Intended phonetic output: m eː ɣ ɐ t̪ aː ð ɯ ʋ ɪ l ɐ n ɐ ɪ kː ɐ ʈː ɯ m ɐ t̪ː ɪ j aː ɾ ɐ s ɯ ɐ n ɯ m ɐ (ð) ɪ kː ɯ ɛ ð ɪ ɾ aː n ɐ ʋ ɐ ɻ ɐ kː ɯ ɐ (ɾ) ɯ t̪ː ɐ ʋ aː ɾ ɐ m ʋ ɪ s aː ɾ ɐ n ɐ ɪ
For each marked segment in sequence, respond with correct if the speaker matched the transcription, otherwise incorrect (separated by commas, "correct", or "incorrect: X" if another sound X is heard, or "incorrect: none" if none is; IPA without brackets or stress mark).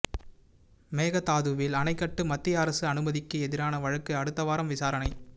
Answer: correct, incorrect: ɽ